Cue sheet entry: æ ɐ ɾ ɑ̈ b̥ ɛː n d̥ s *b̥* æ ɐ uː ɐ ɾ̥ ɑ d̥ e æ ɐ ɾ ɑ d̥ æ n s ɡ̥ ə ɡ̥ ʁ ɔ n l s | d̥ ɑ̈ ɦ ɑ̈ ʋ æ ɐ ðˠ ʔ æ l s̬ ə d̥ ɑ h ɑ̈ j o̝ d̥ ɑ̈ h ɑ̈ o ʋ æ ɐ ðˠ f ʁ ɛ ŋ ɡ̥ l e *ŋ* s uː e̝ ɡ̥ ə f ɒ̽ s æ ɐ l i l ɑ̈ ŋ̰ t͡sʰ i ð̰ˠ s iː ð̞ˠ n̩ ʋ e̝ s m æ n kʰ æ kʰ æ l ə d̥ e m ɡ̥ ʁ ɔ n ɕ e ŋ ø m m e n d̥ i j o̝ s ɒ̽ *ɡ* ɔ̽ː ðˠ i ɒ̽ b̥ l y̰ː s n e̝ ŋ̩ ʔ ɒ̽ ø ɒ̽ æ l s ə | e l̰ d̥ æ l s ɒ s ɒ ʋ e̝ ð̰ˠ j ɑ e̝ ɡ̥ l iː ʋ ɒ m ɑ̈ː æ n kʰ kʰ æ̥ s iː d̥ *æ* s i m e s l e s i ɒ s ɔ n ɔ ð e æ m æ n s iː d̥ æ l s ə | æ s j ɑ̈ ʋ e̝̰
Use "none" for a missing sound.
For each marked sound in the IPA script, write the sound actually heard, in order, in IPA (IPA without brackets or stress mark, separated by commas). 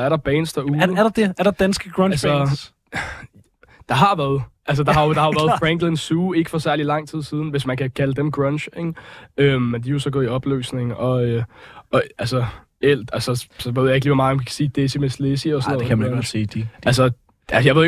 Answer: d̥, n, ɡ, e